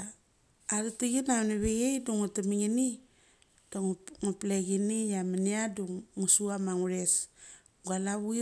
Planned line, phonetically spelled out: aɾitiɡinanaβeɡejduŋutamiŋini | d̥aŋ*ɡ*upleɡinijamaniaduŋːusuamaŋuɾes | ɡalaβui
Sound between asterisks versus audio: incorrect: ŋ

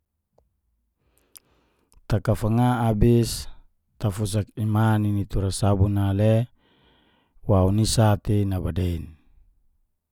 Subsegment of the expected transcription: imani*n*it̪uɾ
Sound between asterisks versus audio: correct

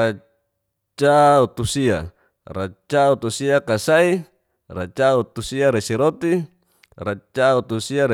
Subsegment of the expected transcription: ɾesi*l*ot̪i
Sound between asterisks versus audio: incorrect: ɾ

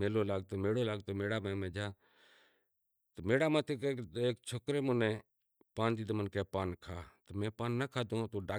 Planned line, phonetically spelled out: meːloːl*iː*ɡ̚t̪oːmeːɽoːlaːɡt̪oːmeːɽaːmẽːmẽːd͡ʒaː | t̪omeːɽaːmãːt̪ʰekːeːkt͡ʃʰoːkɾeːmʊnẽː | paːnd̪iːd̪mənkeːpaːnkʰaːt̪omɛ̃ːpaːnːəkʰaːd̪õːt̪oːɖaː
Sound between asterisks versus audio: incorrect: aː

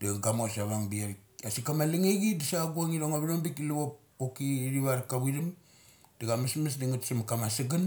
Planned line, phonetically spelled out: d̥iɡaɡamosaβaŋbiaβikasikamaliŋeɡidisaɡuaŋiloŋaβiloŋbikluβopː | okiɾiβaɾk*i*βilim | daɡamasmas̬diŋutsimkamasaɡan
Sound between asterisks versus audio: incorrect: a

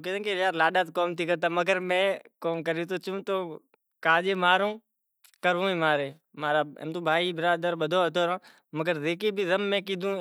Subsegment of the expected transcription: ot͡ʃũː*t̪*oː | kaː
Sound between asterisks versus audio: correct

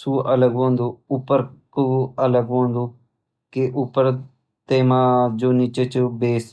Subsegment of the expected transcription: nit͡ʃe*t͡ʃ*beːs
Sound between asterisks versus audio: correct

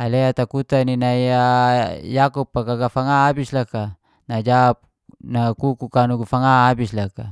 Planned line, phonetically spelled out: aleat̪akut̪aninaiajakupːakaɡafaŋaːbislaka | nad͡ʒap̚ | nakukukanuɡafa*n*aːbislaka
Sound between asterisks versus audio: incorrect: ŋ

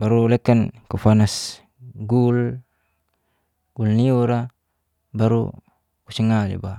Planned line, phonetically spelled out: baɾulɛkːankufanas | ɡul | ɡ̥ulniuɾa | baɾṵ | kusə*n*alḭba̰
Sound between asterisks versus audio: incorrect: ŋ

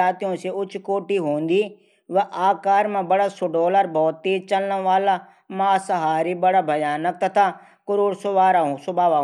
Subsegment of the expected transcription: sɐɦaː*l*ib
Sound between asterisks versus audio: incorrect: ɾ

